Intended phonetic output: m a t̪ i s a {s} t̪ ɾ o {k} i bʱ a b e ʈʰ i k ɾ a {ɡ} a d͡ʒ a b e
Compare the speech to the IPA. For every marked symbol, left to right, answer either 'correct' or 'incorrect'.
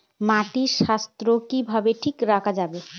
correct, correct, incorrect: k

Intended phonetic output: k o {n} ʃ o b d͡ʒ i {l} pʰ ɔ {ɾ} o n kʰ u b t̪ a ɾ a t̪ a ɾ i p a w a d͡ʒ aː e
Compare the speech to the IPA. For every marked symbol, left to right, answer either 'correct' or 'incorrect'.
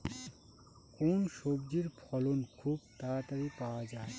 correct, incorrect: ɾ, incorrect: l

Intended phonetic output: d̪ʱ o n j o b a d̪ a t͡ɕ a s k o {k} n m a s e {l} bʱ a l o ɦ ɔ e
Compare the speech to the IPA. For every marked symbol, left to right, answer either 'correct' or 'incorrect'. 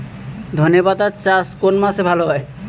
incorrect: none, incorrect: none

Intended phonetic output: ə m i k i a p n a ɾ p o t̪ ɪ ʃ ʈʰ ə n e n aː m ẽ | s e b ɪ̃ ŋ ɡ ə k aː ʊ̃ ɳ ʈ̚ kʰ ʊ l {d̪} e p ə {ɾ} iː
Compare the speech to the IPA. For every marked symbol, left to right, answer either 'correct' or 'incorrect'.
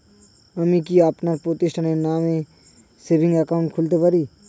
incorrect: t̪, correct

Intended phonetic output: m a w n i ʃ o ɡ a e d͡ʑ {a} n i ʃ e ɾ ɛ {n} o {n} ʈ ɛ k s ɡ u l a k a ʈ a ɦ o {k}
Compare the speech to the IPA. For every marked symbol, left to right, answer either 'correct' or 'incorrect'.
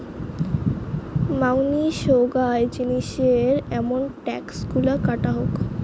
incorrect: i, incorrect: m, correct, correct

